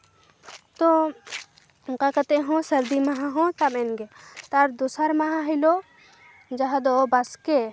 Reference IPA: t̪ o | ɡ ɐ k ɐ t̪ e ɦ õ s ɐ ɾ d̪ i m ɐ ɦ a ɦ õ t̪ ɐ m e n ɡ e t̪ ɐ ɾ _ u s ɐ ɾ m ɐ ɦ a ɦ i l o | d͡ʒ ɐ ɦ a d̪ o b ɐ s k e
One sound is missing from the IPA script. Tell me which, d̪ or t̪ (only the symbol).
d̪